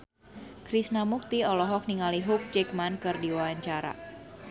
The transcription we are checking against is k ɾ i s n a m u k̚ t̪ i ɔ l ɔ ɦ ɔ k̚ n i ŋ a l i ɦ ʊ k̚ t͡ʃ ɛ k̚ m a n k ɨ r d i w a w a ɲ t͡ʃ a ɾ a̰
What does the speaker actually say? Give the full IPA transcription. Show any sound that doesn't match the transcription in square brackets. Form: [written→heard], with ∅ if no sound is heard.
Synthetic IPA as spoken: k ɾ i s n a m u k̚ t̪ i ɔ l ɔ ɦ ɔ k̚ n i ŋ a l i ɦ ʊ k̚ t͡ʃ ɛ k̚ m a n k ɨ r d i w a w a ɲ t͡ʃ a ɾ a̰